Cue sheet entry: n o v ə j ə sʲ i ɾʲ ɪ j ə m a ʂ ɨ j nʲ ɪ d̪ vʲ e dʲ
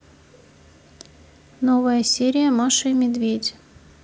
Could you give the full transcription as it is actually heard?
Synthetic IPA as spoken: n o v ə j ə sʲ e ɾʲ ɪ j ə m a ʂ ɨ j mʲ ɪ d̪ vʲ e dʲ